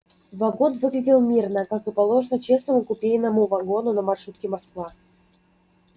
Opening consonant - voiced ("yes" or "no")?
yes